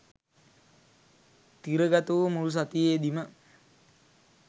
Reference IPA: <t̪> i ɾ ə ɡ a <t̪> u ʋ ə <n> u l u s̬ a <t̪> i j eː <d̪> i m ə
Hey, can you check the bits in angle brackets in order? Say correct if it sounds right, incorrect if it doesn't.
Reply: correct, correct, incorrect: m, correct, correct

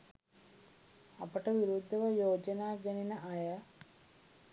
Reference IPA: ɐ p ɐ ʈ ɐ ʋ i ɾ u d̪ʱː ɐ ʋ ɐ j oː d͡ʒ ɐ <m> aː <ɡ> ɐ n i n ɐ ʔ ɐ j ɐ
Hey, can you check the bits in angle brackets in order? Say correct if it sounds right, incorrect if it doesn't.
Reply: incorrect: n, correct

